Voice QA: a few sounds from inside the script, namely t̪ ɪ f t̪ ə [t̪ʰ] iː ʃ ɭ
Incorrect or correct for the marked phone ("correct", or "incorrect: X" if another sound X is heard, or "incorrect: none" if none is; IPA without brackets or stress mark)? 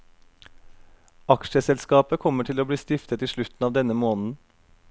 incorrect: t̪